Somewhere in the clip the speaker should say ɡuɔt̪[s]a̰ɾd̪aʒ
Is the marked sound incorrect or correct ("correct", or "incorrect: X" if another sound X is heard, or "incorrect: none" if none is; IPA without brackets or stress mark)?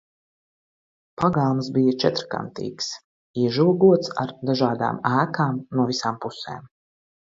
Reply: correct